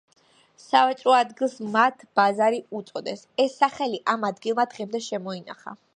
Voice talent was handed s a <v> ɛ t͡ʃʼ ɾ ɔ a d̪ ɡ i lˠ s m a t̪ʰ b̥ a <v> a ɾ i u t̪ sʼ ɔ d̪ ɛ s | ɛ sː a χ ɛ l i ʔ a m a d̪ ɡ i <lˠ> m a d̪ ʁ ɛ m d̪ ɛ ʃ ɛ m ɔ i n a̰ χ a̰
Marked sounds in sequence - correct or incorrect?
correct, incorrect, correct

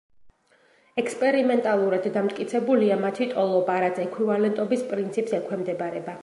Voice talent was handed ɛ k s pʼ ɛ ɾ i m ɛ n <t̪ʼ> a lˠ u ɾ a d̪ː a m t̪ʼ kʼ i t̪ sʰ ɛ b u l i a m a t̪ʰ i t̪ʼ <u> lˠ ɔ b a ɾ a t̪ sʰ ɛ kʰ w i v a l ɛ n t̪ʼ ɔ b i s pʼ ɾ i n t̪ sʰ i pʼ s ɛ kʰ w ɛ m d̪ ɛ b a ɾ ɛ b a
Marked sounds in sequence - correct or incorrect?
correct, incorrect

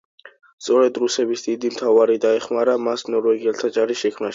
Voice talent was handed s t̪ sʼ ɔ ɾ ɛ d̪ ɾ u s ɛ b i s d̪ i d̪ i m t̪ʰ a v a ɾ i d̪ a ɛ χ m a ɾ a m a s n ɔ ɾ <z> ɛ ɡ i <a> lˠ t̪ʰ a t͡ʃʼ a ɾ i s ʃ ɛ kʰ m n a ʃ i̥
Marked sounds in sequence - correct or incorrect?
incorrect, incorrect

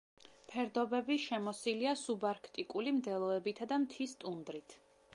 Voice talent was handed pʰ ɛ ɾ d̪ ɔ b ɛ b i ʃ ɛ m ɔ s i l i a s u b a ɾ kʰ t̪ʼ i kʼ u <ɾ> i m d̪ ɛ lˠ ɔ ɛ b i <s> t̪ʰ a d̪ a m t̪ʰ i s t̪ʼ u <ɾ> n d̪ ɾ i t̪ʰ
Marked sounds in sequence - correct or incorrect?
incorrect, incorrect, incorrect

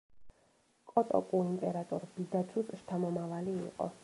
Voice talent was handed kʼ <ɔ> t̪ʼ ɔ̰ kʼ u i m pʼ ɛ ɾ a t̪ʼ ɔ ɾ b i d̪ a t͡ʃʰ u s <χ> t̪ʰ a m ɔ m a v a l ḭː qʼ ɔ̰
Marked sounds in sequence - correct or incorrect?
correct, incorrect

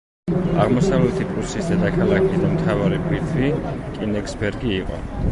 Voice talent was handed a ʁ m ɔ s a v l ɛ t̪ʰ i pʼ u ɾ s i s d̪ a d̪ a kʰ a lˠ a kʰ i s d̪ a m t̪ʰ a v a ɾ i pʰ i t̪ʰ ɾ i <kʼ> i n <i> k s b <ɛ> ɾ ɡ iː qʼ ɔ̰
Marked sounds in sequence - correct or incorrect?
correct, incorrect, correct

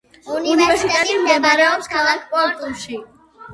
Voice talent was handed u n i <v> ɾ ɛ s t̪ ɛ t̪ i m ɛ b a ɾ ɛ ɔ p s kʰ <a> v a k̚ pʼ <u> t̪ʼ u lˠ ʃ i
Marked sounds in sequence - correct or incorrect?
correct, correct, incorrect

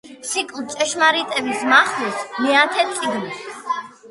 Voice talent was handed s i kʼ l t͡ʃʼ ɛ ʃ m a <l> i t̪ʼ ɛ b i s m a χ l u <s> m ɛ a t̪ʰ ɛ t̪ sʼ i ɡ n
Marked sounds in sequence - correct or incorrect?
incorrect, correct

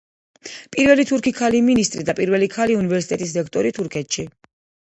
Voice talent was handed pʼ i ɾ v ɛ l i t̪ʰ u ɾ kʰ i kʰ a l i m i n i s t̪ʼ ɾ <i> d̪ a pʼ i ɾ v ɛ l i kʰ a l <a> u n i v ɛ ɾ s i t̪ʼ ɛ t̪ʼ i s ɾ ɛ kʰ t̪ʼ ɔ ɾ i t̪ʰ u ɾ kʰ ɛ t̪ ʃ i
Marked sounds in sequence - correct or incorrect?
correct, incorrect

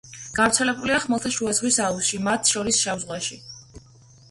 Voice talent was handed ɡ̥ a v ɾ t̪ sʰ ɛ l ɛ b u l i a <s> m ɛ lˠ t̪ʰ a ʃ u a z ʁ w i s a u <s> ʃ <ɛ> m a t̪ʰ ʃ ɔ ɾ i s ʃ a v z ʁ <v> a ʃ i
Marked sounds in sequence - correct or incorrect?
incorrect, correct, incorrect, incorrect

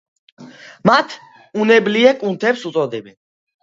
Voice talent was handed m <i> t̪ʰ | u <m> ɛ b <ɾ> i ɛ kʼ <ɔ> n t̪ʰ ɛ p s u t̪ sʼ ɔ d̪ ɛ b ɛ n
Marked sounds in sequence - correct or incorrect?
incorrect, incorrect, incorrect, incorrect

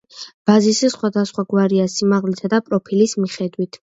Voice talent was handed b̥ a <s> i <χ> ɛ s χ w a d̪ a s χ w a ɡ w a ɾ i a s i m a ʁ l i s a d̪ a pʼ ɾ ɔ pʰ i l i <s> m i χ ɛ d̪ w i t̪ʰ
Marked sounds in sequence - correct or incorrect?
incorrect, incorrect, correct

